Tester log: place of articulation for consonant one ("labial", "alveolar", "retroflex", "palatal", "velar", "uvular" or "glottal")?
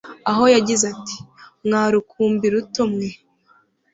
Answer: glottal